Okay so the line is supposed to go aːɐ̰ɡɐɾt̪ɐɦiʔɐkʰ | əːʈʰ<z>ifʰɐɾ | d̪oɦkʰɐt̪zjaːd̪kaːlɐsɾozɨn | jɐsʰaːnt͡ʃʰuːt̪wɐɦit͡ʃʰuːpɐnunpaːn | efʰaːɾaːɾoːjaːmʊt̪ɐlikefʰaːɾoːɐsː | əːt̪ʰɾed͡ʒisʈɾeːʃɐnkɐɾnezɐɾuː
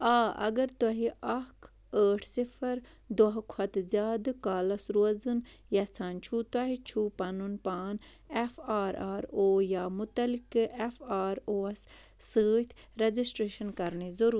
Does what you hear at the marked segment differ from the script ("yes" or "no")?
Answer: yes